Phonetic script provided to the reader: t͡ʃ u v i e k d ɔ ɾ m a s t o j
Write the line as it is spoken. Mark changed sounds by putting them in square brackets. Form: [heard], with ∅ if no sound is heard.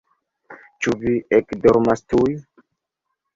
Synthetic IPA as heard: t͡ʃ u v i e k d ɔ ɾ m a s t [u] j